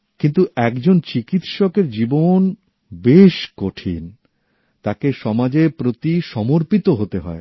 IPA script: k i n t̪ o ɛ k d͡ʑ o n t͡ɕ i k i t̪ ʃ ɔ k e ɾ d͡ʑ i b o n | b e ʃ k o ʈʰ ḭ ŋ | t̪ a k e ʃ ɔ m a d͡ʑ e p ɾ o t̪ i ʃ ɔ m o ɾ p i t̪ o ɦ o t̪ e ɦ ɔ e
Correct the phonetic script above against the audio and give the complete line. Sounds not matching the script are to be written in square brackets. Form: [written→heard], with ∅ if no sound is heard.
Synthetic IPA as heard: k i n t̪ [o→u] ɛ k d͡ʑ o n t͡ɕ i k i t̪ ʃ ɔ k e ɾ d͡ʑ i b o n | b e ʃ k o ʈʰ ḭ [ŋ→n] | t̪ a k e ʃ ɔ m a d͡ʑ e p ɾ o t̪ i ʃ ɔ m o ɾ p i t̪ o ɦ o t̪ e ɦ ɔ e